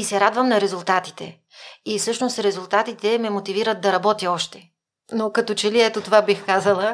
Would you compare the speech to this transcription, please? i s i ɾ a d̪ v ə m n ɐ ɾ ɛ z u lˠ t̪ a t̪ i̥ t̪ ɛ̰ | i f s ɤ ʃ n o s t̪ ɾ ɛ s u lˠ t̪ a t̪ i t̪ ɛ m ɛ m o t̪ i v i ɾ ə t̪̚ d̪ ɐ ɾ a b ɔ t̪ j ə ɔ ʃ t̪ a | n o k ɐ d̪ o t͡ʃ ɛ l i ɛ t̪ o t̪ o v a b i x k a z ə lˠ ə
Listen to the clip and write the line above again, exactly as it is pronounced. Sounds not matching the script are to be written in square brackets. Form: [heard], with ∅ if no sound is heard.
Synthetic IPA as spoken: i s [ɛ] ɾ a d̪ v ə m n ɐ ɾ ɛ z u lˠ t̪ a t̪ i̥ t̪ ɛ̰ | i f s ɤ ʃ n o s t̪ ɾ ɛ [z] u lˠ t̪ a t̪ i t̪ ɛ m ɛ m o t̪ i v i ɾ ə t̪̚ d̪ ɐ ɾ [ɐ] b ɔ t̪ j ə ɔ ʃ t̪ [ɛ] | n o k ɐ [t̪] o t͡ʃ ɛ l i ɛ t̪ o t̪ o v a b i x k a z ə lˠ ə